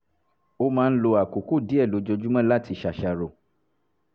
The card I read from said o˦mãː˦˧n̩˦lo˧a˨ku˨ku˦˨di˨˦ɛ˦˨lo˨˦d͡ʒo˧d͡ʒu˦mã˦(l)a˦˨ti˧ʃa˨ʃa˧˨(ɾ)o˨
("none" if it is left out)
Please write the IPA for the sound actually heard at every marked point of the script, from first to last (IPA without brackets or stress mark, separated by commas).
l, ɾ